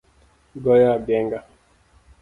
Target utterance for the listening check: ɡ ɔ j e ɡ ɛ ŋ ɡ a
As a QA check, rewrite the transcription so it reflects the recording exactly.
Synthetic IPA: ɡ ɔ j a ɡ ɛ ŋ ɡ a

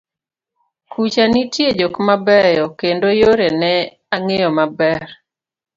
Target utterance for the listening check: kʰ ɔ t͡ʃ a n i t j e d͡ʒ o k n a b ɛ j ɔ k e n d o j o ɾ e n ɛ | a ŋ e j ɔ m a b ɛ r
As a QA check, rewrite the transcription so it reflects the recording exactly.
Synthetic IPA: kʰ u t͡ʃ a n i t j e d͡ʒ o k m a b ɛ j ɔ k e n d o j o ɾ e n ɛ | a ŋ e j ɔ m a b ɛ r

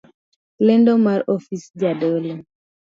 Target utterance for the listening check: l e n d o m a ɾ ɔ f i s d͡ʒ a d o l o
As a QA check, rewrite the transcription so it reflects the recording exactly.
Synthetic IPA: l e n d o m a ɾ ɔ f i s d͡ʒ a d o l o

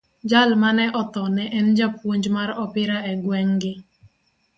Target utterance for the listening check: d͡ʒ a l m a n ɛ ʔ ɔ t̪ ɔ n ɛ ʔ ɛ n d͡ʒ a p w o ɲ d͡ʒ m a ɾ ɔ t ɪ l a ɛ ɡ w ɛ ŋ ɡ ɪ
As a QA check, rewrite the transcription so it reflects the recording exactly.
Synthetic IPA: d͡ʒ a l m a n ɛ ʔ ɔ t̪ ɔ n ɛ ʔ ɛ n d͡ʒ a p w o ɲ d͡ʒ m a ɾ ɔ p ɪ ɾ a ɛ ɡ w ɛ ŋ ɡ ɪ

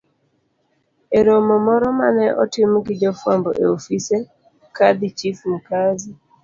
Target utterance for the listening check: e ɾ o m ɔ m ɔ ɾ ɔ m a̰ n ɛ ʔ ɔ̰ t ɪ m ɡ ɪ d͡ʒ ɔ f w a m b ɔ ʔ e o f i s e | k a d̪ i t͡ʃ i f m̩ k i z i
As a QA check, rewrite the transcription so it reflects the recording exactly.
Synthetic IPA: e ɾ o m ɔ m ɔ ɾ ɔ m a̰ n ɛ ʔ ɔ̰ t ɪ m ɡ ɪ d͡ʒ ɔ f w a m b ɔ ʔ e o f i s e | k a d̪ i t͡ʃ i f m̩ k a z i

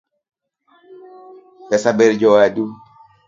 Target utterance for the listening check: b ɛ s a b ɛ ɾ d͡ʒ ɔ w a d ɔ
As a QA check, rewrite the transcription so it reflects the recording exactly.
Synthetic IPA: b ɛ s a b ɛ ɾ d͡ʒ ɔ w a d u

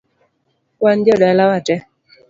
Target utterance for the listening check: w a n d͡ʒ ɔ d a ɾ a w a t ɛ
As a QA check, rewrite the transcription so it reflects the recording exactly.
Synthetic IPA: w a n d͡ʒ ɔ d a l a w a t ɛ

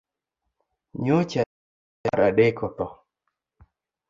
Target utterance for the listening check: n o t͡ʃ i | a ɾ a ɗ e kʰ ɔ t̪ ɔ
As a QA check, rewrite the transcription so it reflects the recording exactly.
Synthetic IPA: ɲ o t͡ʃ a | a ɾ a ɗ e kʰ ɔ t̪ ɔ

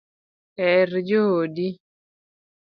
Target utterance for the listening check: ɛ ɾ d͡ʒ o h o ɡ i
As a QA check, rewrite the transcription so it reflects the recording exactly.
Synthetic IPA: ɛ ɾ d͡ʒ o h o d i

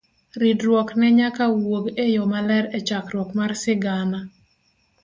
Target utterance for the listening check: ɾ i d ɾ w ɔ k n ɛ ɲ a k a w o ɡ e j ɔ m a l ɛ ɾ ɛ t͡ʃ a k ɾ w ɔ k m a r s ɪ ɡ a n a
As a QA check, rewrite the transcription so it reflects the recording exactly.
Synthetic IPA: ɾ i d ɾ w ɔ k n ɛ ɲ a k a w o ɡ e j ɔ m a l ɛ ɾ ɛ t͡ʃ a k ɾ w ɔ k m a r s ɪ ɡ a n a

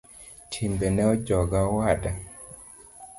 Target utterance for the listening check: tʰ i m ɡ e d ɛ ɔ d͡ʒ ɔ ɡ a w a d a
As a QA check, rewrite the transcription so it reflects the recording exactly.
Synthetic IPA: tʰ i m b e n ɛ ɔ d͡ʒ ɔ ɡ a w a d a

